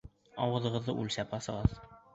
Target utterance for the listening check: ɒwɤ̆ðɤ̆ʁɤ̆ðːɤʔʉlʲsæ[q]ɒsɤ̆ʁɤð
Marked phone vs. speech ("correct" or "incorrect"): incorrect